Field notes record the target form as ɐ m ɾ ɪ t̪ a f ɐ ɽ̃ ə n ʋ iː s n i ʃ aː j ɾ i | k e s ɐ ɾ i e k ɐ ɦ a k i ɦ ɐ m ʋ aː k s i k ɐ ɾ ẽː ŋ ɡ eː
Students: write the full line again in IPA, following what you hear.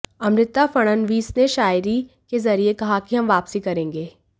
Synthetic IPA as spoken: ɐ m ɾ ɪ t̪ a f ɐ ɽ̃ ə n ʋ iː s n e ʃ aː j ɾ i | k e z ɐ ɾ i e k ɐ ɦ a k i ɦ ɐ m ʋ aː p s i k ɐ ɾ ẽː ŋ ɡ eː

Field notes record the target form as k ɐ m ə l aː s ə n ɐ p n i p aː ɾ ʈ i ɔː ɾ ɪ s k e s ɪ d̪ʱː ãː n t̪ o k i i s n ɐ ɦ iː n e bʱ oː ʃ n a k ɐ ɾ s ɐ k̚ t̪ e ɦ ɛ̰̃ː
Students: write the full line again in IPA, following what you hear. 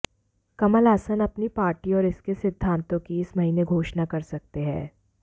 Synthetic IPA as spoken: k ɐ m ə l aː s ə n ɐ p n i p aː ɾ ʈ i ɔː ɾ ɪ s k e s ɪ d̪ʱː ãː n t̪ õ k i ɪ s m ɐ ɦ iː n e ɡʱ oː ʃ n a k ɐ ɾ s ɐ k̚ t̪ e ɦ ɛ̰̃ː

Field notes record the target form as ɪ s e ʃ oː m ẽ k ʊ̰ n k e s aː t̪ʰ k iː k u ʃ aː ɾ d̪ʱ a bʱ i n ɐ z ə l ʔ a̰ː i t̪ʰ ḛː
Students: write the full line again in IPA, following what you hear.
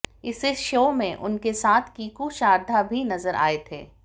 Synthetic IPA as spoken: ɪ s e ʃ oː m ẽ ʔ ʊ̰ n k e s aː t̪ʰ k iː k u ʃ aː ɾ d̪ʱ a bʱ i n ɐ z ə ɾ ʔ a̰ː e t̪ʰ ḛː

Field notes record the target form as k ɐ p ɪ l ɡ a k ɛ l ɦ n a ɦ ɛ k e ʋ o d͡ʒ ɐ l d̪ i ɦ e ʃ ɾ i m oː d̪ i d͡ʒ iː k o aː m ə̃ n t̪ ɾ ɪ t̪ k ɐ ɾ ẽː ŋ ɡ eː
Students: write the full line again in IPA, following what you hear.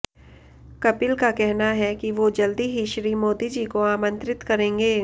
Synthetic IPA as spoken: k ɐ p ɪ l k a k ɛ ɦ n a ɦ ɛ k i ʋ o d͡ʒ ɐ l d̪ i ɦ i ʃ ɾ i m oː d̪ i d͡ʒ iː k o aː m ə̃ n t̪ ɾ ɪ t̪ k ɐ ɾ ẽː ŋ ɡ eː

